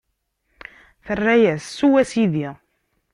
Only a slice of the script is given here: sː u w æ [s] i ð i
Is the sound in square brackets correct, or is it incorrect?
correct